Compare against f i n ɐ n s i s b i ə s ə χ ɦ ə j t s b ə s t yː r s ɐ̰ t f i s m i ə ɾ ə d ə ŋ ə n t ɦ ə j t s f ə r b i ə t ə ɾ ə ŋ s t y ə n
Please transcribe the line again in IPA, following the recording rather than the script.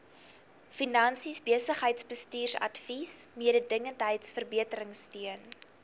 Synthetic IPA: f i n ɐ n s i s b i ə s ə χ ɦ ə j t s b ə s t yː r s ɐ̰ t f i s m i ə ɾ ə d ə ŋ ə n t ɦ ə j t s f ə r b i ə t ə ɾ ə ŋ s t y ə n